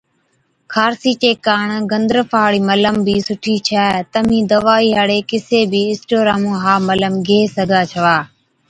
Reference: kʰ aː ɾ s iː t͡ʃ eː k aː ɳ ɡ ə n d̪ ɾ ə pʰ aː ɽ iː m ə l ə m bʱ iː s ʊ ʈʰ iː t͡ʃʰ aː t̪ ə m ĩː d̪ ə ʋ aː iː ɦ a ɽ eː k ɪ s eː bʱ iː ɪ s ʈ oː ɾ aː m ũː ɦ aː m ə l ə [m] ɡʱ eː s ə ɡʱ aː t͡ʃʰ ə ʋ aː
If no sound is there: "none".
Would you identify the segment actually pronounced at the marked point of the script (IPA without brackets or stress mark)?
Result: m